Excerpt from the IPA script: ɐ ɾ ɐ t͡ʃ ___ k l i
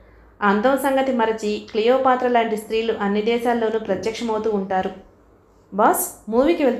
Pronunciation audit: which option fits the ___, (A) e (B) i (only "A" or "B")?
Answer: B